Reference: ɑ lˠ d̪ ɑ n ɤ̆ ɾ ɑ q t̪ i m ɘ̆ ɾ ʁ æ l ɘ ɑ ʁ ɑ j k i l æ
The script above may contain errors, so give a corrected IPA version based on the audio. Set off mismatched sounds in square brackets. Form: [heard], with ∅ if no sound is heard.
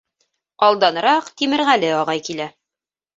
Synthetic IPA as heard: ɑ lˠ d̪ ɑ n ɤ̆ ɾ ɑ q t̪ i m ɘ̆ ɾ ʁ æ l ɘ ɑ ʁ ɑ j k i l æ